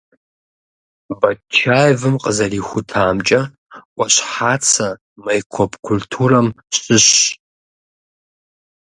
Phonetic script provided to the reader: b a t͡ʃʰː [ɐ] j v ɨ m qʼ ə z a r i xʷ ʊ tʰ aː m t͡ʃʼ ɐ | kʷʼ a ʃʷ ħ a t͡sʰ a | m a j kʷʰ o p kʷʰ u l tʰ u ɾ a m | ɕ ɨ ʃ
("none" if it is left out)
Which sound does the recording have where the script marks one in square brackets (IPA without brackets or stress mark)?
a